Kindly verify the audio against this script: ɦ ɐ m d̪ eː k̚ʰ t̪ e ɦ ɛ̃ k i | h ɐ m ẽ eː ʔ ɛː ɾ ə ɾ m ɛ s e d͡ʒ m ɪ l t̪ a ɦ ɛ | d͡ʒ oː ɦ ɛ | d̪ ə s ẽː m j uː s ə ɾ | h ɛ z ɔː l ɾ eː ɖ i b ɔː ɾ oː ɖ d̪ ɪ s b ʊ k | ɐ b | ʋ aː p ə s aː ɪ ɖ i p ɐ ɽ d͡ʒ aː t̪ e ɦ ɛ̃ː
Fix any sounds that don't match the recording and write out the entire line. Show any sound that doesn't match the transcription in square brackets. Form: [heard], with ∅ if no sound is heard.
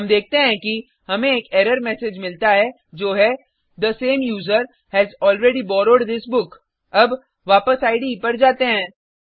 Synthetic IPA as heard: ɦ ɐ m d̪ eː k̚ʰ t̪ e ɦ ɛ̃ k i | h ɐ m ẽ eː [k] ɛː ɾ ə ɾ m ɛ s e d͡ʒ m ɪ l t̪ a ɦ ɛ | d͡ʒ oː ɦ ɛ | d̪ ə s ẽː m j uː [z] ə ɾ | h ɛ z ɔː l ɾ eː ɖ i b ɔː ɾ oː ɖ d̪ ɪ s b ʊ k | ɐ b | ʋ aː p ə s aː ɪ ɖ i p ɐ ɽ d͡ʒ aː t̪ e ɦ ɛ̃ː